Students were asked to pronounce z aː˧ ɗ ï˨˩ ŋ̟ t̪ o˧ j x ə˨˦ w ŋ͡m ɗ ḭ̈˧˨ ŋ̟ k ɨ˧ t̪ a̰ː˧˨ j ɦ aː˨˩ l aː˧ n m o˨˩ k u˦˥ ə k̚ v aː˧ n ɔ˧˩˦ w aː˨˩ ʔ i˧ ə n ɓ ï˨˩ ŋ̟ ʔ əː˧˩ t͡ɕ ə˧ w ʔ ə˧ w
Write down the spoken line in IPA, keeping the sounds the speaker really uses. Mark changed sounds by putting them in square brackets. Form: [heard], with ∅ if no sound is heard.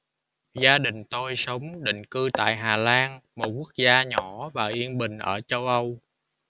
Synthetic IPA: z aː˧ ɗ ï˨˩ ŋ̟ t̪ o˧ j [s] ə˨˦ w ŋ͡m ɗ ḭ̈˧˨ ŋ̟ k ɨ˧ t̪ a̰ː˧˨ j ɦ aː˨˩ l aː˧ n m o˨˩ k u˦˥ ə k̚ [z] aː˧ [ɲ] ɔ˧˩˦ [v] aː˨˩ ʔ i˧ ə n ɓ ï˨˩ ŋ̟ ʔ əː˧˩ t͡ɕ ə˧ w ʔ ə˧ w

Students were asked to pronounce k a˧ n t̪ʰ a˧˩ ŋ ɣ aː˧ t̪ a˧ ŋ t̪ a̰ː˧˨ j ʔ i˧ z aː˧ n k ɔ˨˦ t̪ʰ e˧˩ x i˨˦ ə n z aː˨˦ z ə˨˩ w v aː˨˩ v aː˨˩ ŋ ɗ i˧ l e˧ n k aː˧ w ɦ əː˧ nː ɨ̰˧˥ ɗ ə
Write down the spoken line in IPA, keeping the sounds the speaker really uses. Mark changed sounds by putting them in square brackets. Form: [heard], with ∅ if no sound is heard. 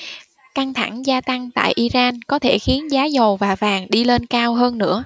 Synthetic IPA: k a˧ n t̪ʰ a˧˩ ŋ [z] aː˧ t̪ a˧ ŋ t̪ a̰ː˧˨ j ʔ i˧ z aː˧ n k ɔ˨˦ t̪ʰ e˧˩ x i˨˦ ə n z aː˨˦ z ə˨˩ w v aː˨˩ v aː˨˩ ŋ ɗ i˧ l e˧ n k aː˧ w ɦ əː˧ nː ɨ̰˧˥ [∅] ə

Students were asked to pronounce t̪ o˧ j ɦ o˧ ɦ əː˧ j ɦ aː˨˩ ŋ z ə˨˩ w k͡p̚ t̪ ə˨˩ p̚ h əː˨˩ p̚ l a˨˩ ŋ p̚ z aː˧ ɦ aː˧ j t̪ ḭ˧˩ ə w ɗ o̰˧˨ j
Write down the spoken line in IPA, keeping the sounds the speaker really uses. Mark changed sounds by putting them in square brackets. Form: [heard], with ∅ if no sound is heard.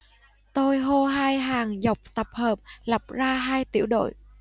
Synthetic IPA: t̪ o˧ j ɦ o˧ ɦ [aː˧] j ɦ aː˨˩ ŋ z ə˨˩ w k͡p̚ t̪ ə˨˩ p̚ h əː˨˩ p̚ l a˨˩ [∅] p̚ z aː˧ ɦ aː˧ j t̪ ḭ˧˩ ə w ɗ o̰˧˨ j

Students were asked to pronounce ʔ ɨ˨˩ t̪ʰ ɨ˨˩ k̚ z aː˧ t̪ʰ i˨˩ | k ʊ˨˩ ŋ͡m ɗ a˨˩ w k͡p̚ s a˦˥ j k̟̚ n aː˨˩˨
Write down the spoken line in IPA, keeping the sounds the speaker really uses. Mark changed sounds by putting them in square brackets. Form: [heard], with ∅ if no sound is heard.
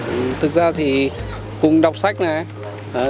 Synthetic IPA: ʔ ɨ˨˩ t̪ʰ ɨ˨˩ k̚ z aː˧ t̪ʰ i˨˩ | k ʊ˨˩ ŋ͡m ɗ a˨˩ w k͡p̚ s a˦˥ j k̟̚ n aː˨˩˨

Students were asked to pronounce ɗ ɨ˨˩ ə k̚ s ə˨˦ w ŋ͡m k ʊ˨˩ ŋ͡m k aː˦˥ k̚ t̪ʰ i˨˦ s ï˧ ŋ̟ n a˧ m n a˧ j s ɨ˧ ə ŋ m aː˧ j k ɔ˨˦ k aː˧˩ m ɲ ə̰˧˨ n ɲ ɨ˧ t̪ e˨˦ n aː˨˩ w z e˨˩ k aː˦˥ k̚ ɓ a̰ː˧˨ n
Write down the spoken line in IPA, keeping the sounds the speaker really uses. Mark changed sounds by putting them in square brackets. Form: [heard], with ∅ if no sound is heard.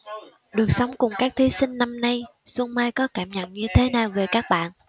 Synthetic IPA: ɗ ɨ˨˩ ə k̚ s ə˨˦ w ŋ͡m k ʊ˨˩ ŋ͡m k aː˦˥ k̚ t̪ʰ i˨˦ s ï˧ ŋ̟ n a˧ m n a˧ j s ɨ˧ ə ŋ m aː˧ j k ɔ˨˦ k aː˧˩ m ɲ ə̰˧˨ n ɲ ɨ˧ [t̪ʰ] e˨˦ n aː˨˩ w [v] e˨˩ k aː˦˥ k̚ ɓ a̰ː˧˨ n

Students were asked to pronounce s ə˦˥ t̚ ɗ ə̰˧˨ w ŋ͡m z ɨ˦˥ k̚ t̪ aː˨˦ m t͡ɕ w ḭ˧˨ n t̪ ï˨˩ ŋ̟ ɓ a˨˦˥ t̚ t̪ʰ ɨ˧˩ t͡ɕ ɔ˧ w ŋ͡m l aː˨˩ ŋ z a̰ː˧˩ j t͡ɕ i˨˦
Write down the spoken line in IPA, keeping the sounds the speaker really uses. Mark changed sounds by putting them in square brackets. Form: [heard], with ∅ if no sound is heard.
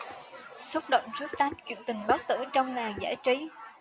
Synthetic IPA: s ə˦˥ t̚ ɗ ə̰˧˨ w ŋ͡m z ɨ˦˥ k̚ t̪ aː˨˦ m t͡ɕ w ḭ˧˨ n t̪ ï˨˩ ŋ̟ ɓ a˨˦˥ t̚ [t̪] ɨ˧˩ t͡ɕ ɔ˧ w ŋ͡m l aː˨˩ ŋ z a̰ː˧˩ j t͡ɕ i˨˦

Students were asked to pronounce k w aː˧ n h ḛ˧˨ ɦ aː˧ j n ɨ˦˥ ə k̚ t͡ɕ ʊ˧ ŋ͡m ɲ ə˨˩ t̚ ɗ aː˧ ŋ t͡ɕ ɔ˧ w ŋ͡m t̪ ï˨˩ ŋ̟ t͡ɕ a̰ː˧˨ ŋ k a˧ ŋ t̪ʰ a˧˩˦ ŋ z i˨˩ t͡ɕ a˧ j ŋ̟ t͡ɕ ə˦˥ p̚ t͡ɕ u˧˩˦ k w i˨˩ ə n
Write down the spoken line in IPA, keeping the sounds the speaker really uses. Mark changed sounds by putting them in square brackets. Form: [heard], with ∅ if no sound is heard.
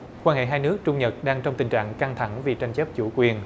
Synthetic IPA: k w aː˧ n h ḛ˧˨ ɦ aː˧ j n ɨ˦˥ ə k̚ t͡ɕ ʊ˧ ŋ͡m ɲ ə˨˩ t̚ ɗ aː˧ ŋ t͡ɕ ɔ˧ w ŋ͡m t̪ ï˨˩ ŋ̟ t͡ɕ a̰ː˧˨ ŋ k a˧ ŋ t̪ʰ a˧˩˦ ŋ [v] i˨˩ t͡ɕ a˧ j ŋ̟ t͡ɕ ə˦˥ p̚ t͡ɕ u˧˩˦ k w i˨˩ ə n

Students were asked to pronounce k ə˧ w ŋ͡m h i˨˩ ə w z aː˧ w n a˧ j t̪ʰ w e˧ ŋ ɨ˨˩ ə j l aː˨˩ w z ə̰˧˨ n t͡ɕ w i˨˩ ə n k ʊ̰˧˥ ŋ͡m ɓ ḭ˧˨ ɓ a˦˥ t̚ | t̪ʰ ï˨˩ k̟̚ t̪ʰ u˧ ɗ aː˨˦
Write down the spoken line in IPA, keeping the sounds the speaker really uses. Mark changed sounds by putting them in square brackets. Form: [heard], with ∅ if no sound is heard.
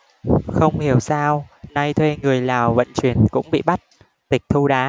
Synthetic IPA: [x] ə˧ w ŋ͡m h i˨˩ ə w [s] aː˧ w n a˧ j t̪ʰ w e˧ ŋ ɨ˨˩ ə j l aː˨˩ w [v] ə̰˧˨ n t͡ɕ w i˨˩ ə n k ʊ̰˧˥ ŋ͡m ɓ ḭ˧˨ ɓ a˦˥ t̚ | [t̪] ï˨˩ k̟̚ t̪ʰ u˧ ɗ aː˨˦

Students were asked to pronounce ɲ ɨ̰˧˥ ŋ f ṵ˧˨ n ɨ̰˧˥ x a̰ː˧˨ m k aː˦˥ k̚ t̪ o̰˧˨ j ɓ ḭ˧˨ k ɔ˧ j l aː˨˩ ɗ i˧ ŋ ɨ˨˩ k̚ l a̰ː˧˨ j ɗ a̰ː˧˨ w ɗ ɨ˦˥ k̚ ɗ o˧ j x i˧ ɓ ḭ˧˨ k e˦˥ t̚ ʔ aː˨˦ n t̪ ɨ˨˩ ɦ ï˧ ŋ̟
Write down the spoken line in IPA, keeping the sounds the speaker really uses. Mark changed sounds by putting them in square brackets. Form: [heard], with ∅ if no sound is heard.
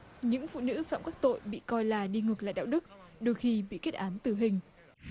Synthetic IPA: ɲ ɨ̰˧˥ ŋ f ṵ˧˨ n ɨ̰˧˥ [f] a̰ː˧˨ m k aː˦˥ k̚ t̪ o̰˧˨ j ɓ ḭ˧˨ k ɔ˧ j l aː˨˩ ɗ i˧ ŋ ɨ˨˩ k̚ l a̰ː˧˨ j ɗ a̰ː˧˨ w ɗ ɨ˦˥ k̚ ɗ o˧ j x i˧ ɓ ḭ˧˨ k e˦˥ t̚ ʔ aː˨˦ n t̪ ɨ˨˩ ɦ [ï˨˩] ŋ̟

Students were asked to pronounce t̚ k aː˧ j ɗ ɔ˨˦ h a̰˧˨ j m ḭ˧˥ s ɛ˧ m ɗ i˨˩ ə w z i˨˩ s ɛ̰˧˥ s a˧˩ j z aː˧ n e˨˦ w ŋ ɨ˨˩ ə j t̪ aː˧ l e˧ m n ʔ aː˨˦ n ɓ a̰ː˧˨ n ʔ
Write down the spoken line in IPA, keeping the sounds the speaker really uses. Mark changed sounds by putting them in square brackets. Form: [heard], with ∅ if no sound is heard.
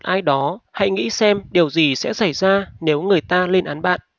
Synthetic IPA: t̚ [ʔ] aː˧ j ɗ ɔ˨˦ h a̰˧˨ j [ŋ] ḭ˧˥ s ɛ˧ m ɗ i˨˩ ə w z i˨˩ s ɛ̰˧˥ s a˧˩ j z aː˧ n e˨˦ w ŋ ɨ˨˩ ə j t̪ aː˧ l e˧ [∅] n ʔ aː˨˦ n ɓ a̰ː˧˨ n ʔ

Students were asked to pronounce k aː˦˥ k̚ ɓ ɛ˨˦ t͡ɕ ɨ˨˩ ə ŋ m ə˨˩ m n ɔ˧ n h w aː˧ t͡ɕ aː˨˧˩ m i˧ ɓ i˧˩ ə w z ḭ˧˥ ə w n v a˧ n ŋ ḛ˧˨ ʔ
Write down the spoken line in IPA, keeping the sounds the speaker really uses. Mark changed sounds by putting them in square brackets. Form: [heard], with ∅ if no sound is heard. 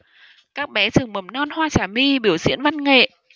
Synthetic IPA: k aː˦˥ k̚ ɓ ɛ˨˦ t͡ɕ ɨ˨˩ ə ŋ m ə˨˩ m n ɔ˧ n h w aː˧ t͡ɕ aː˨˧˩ m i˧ ɓ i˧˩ ə w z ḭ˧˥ ə [∅] n v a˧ n ŋ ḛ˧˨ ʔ

